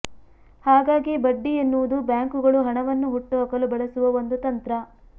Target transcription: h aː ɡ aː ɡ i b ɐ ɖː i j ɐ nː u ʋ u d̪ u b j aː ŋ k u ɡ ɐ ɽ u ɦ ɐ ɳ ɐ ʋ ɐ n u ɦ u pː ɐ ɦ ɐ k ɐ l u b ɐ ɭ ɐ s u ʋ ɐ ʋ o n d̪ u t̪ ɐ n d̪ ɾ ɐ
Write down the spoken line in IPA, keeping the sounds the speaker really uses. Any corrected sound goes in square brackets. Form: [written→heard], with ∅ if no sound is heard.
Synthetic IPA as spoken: h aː ɡ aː ɡ i b ɐ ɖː i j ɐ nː u ʋ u d̪ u b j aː ŋ k u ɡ ɐ [ɽ→ɭ] u ɦ ɐ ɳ ɐ ʋ ɐ [n→nː] u ɦ u [pː→ʈː] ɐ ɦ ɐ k ɐ l u b ɐ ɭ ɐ s u ʋ ɐ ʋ o n d̪ u t̪ ɐ n [d̪→t̪] ɾ ɐ